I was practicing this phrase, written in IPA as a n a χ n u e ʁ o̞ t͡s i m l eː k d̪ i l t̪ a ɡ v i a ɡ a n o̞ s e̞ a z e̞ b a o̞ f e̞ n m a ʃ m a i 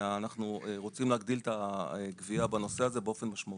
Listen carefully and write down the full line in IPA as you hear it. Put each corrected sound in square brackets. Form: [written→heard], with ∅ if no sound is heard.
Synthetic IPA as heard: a n a χ n u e ʁ o̞ t͡s i m l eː [k→ɡ] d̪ i l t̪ a ɡ v i a [ɡ→b] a n o̞ s e̞ a z e̞ b [a→e] o̞ f e̞ n m a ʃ m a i